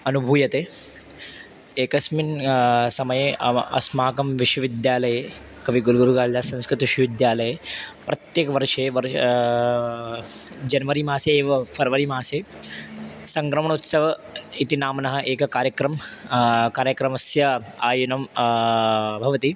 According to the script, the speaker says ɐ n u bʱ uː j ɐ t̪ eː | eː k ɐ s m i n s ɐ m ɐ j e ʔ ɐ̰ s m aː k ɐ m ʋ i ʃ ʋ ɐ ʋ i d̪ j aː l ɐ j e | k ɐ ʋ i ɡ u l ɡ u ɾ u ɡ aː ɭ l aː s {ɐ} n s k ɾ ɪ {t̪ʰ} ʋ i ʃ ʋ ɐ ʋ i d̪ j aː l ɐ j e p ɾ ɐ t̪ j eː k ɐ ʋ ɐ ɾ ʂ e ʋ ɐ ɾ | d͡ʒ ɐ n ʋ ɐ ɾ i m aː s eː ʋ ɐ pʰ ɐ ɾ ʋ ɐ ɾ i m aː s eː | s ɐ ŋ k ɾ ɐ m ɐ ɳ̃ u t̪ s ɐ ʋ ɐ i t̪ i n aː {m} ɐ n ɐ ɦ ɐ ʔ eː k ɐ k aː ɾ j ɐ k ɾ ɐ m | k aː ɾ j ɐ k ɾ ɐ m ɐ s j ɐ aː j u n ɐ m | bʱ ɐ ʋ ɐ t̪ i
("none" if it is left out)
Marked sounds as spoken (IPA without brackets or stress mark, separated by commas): ɐ̃, t̪, m